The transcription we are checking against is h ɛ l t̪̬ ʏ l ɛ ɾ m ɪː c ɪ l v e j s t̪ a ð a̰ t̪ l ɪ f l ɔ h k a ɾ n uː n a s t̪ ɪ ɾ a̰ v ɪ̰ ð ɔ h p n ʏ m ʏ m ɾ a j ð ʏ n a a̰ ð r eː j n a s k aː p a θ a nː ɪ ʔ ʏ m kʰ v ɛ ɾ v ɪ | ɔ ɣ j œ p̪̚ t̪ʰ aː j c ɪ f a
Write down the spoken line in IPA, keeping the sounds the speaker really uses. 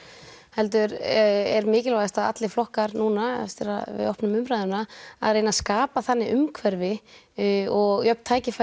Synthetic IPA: h ɛ l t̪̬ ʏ ɾ ɛ ɾ m ɪː c ɪ l v a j s t̪ a ð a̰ t̪ l ɪ f l ɔ h k a ɾ n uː n a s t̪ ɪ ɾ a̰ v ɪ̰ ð ɔ h p n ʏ m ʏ m ɾ a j ð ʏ n a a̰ ð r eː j n a s k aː p a θ a nː ɪ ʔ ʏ m kʰ v ɛ ɾ v ɪ | ɔ ɣ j œ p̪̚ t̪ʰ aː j c ɪ f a